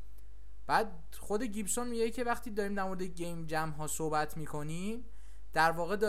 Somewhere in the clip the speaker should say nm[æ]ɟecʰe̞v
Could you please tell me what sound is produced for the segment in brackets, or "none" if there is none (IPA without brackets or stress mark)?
i